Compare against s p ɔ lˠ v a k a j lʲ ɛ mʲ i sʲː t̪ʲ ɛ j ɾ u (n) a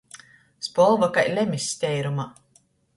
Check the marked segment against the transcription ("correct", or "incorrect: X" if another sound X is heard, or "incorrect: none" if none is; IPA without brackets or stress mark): incorrect: m